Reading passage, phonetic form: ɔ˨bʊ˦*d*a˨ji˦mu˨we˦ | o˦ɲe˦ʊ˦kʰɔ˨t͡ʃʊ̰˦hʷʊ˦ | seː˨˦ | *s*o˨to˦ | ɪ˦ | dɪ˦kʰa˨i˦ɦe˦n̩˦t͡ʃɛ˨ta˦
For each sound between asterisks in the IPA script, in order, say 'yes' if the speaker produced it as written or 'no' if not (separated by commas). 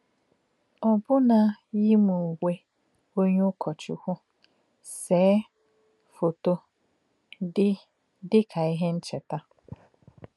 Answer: no, no